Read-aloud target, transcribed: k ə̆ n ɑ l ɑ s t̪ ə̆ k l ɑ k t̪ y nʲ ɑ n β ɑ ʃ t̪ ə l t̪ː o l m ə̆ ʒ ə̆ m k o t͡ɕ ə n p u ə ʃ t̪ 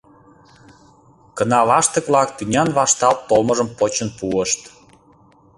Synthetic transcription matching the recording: k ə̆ n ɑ l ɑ ʃ t̪ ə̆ k l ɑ k t̪ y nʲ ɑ n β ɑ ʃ t̪ ɑ l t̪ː o l m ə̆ ʒ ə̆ m p o t͡ɕ ə n p u ə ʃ t̪

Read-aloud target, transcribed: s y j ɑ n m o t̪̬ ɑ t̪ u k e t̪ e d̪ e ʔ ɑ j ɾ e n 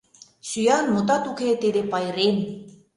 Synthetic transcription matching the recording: s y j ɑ n m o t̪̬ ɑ t̪ u k e t̪ e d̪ e p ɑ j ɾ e n

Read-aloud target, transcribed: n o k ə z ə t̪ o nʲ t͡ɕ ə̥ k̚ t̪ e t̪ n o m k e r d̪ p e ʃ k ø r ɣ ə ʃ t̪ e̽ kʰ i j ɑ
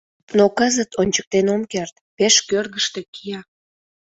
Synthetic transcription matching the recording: n o k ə z ə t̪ o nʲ t͡ɕ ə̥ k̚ t̪ e n o m k e r t̪ p e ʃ k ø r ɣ ə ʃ t̪ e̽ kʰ i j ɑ

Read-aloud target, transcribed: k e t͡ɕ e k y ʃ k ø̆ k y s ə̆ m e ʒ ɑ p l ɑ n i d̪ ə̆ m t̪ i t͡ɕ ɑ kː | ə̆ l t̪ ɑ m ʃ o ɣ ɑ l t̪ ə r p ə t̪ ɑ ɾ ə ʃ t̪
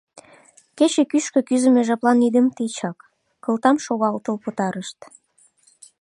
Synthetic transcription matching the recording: k e t͡ɕ e k y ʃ k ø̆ k y z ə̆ m e ʒ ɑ p l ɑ n i d̪ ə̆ m t̪ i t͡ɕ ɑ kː | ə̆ l t̪ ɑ m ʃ o ɣ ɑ l t̪ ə l p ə t̪ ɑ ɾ ə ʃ t̪

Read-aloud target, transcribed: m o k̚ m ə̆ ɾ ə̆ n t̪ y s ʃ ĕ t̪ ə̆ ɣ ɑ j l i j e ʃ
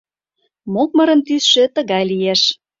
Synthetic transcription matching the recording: m o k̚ m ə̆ ɾ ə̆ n t̪ y s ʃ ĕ t̪ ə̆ ɣ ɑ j l i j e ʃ

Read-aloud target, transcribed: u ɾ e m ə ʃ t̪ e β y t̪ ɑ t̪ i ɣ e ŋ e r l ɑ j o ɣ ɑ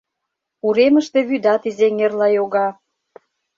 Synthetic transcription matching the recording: u ɾ e m ə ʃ t̪ e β y d̪ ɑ t̪ i z e ŋ e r l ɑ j o ɣ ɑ

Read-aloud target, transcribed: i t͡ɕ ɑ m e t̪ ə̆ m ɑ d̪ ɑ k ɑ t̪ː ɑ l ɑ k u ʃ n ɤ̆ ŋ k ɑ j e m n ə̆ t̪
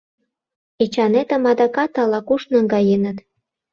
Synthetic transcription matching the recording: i t͡ɕ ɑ n e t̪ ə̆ m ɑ d̪ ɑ k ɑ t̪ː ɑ l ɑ k u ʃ n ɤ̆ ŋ ɡ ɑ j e n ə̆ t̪

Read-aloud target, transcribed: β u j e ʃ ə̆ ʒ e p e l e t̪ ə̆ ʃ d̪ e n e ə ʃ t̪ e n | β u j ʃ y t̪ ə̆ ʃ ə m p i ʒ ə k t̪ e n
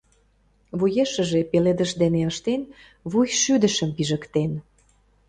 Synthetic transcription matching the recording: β u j e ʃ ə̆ ʒ e p e l e d̪ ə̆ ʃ d̪ e n e ə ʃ t̪ e n | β u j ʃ y d̪ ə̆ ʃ ə m p i ʒ ə k t̪ e n

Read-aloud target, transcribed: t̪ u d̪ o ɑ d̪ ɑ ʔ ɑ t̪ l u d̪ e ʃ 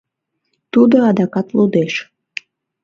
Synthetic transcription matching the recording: t̪ u d̪ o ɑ d̪ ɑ k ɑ t̪ l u d̪ e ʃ

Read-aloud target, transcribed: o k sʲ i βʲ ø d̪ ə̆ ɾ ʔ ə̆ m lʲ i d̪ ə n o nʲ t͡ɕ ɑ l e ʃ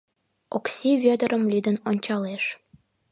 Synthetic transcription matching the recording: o k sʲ i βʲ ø d̪ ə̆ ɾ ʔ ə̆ m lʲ i d̪ ə n o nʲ t͡ɕ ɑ l e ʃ

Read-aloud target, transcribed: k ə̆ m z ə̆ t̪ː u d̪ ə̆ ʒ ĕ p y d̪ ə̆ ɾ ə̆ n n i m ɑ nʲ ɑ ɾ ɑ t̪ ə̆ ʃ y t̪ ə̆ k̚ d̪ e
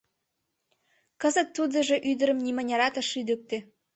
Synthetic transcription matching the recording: k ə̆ z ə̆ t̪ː u d̪ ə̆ ʒ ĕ ʔ y d̪ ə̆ ɾ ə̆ m n i m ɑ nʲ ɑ ɾ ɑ t̪ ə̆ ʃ y d̪ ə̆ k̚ t̪ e

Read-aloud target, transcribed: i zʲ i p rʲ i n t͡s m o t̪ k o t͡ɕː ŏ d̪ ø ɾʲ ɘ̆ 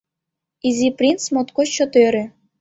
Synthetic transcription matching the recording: i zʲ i p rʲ i n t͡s m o t̪ k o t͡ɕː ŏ t̪ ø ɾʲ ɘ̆

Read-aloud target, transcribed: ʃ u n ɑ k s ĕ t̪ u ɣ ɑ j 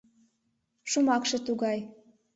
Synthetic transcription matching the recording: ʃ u m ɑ k ʃ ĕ t̪ u ɣ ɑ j

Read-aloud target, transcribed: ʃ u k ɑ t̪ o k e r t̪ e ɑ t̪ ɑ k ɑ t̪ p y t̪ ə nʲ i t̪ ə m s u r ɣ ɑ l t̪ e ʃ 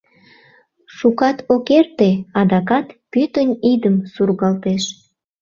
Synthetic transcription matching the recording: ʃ u k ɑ t̪ o k e r t̪ e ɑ d̪ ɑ k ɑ t̪ p y t̪ ə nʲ i d̪ ə m s u r ɣ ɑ l t̪ e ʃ

